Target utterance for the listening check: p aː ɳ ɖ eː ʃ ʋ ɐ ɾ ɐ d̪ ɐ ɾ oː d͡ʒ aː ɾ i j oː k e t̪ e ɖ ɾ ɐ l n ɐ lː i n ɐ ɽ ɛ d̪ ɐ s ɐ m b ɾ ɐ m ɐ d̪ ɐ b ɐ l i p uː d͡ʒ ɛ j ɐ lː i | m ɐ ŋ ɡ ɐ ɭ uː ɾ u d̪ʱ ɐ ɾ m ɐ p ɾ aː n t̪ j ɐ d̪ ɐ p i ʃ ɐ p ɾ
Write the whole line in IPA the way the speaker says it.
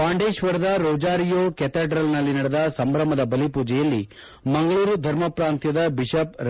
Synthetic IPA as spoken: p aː ɳ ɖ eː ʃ ʋ ɐ ɾ ɐ d̪ ɐ ɾ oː d͡ʒ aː ɾ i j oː k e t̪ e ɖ ɾ ɐ l n ɐ lː i n ɐ ɽ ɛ d̪ ɐ s ɐ m b ɾ ɐ m ɐ d̪ ɐ b ɐ l i p uː d͡ʒ ɛ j ɐ lː i | m ɐ ŋ ɡ ɐ ɭ uː ɾ u d̪ʱ ɐ ɾ m ɐ p ɾ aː n t̪ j ɐ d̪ ɐ b i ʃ ɐ p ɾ